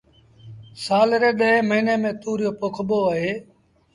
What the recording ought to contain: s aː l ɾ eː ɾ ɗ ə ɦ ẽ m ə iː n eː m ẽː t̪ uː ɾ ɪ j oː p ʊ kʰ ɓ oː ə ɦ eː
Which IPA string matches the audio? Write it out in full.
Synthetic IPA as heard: s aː l ɾ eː ɗ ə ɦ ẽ m ə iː n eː m ẽː t̪ uː ɾ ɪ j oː p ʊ kʰ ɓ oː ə ɦ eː

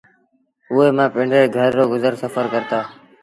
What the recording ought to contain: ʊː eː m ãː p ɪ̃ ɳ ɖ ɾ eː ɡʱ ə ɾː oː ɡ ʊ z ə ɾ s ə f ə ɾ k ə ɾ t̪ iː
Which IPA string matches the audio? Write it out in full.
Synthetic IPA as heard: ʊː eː m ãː p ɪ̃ ɳ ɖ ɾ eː ɡʱ ə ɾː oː ɡ ʊ z ə ɾ s ə f ə ɾ k ə ɾ t̪ aː

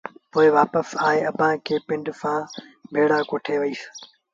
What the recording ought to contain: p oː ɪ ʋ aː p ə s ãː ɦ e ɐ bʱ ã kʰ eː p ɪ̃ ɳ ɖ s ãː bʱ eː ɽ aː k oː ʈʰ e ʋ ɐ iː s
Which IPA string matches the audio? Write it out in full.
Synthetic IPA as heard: p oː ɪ ʋ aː p ə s aː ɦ e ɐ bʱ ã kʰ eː p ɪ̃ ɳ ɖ s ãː bʱ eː ɽ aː k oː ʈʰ e ʋ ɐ iː s

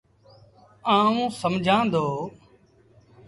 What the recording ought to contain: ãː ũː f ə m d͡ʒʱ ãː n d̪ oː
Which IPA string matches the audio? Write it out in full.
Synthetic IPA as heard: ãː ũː s ə m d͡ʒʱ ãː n d̪ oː

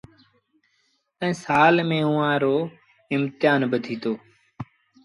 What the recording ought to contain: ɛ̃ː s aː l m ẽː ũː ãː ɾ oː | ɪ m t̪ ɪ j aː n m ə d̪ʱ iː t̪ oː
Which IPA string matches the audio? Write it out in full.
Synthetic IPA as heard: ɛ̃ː s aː l m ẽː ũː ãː ɾ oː | ɪ m t̪ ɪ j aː n b ə d̪ʱ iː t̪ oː

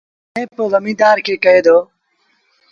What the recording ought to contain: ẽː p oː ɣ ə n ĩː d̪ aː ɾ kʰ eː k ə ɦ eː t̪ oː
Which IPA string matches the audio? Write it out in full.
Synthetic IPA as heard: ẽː p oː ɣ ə m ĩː d̪ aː ɾ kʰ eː k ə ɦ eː d̪ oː

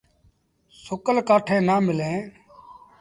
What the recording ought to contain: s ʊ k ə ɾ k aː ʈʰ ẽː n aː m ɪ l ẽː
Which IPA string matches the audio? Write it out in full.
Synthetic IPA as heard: s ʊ k ə l k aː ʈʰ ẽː n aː m ɪ l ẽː

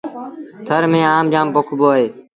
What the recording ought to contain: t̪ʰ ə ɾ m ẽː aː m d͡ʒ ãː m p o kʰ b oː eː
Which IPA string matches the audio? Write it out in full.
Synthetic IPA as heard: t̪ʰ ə ɾ m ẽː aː m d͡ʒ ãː m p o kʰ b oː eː

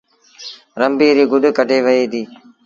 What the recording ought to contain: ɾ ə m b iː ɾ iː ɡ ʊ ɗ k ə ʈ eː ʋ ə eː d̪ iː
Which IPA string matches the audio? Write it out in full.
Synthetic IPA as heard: ɾ ə m b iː ɾ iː ɡ ʊ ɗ k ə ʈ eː ʋ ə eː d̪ iː

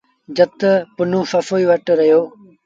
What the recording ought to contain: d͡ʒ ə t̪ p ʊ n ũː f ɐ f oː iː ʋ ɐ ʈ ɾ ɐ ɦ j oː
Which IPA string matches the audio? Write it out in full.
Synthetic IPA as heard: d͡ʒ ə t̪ p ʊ n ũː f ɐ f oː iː ʋ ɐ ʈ ɾ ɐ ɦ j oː

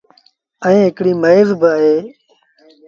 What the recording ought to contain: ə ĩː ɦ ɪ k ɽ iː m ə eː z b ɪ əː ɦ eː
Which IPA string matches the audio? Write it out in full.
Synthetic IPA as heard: ə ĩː ɦ ɪ k ɽ iː m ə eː z b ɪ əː ɦ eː

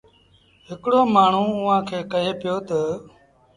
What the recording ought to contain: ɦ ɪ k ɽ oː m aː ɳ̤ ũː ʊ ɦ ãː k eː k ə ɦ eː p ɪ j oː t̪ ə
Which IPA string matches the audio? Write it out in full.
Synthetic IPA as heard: ɦ ɪ k ɽ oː m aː ɳ̤ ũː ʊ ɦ ãː kʰ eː k ə ɦ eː p ɪ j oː t̪ ə

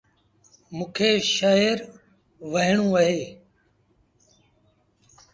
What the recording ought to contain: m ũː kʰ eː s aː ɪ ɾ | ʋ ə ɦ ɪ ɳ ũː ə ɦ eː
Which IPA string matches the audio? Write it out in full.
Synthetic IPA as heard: m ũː kʰ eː ʃ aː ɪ ɾ | ʋ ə ɦ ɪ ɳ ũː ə ɦ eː

